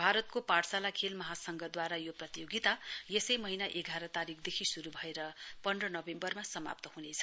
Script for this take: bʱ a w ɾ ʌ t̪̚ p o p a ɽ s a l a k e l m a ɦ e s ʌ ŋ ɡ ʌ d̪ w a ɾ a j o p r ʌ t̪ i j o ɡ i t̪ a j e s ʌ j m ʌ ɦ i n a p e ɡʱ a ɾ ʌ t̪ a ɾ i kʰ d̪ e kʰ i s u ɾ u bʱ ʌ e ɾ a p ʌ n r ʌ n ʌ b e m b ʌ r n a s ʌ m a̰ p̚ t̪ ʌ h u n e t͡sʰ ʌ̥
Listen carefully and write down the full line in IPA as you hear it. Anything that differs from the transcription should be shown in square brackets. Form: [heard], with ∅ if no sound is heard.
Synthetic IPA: bʱ a [∅] ɾ ʌ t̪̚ [k] o p a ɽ s a l a [kʰ] e l m [ʌ] ɦ [a] s ʌ ŋ ɡ ʌ d̪ w a ɾ a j o p r ʌ t̪ i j o ɡ i t̪ a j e s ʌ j m ʌ ɦ i n a [ʔ] e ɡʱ a ɾ ʌ t̪ a ɾ i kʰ d̪ e kʰ i s u ɾ u bʱ ʌ e ɾ [ʌ] p ʌ n r ʌ n ʌ b e m b ʌ r [m] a s ʌ m a̰ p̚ t̪ ʌ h u n e t͡sʰ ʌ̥